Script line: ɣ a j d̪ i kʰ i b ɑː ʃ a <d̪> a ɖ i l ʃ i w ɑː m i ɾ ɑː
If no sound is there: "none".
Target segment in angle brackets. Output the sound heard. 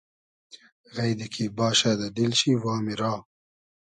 d̪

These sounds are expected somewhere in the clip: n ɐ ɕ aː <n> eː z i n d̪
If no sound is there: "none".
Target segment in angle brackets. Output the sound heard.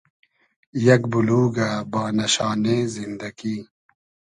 n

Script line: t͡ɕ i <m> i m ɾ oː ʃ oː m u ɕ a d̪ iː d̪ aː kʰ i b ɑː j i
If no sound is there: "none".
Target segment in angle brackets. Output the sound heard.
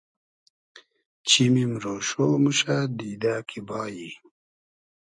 m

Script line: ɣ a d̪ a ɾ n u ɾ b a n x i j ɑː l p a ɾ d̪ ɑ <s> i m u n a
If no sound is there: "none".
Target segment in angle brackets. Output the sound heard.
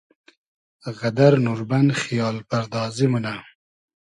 z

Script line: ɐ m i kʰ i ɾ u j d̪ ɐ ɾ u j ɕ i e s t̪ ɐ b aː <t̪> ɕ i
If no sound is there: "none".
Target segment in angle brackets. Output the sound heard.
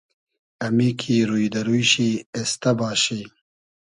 none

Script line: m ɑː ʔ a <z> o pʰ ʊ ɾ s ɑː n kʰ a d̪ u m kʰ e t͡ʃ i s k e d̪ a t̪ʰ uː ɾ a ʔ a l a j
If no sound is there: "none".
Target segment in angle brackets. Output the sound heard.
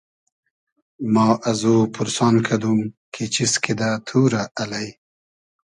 z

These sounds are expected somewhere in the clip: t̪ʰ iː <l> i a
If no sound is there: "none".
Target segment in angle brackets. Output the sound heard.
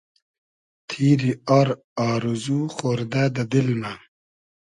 ɾ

